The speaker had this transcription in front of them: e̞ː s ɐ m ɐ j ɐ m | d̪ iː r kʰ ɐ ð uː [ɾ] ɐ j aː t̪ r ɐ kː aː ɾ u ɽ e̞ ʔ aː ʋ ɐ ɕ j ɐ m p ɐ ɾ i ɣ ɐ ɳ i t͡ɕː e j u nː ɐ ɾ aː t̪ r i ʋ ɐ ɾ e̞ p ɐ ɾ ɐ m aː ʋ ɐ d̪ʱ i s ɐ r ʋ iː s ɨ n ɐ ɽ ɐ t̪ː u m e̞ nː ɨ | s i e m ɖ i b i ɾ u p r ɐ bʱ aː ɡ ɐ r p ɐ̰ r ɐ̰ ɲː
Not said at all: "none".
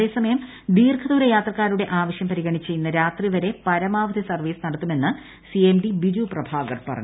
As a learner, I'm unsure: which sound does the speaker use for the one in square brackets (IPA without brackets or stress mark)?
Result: ɾ